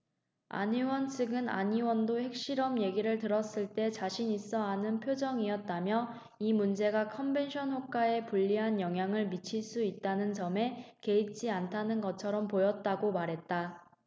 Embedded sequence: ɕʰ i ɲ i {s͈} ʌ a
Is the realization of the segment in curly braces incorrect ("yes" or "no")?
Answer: no